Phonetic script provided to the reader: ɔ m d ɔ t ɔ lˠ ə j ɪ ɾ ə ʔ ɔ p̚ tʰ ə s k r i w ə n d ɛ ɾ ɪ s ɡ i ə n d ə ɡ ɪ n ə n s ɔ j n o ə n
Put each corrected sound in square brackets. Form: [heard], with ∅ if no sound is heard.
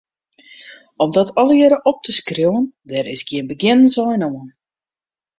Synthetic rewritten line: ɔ m d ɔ t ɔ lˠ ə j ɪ ɾ ə ʔ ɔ p̚ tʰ ə s k r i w ə n d ɛ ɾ ɪ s ɡ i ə n [b] ə ɡ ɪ n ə n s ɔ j n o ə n